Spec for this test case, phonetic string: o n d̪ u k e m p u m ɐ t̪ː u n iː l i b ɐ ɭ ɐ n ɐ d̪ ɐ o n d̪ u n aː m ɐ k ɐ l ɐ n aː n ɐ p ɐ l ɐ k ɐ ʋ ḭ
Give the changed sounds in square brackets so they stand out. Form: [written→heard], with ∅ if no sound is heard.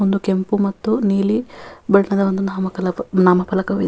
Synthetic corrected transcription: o n d̪ u k e m p u m ɐ t̪ː u n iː l i b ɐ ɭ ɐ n ɐ d̪ ɐ o n d̪ u n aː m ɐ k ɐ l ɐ n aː [n→m] ɐ p ɐ l ɐ k ɐ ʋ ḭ